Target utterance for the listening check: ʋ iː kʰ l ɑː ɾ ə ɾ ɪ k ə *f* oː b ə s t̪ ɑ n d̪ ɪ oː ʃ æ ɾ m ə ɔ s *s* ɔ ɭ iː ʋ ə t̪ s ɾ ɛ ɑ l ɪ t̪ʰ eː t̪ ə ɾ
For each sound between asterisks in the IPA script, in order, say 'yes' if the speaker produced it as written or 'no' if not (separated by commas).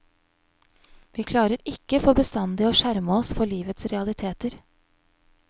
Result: yes, no